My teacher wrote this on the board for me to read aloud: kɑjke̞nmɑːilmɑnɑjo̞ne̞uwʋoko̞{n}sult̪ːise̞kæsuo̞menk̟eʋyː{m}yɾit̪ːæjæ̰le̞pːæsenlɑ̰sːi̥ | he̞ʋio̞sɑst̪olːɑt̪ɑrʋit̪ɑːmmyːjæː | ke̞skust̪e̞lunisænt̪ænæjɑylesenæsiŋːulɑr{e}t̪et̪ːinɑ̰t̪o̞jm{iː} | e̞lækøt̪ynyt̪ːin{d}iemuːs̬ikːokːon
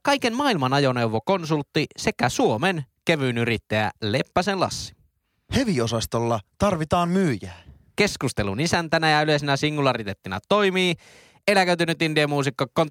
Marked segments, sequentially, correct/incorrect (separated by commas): correct, incorrect, incorrect, correct, correct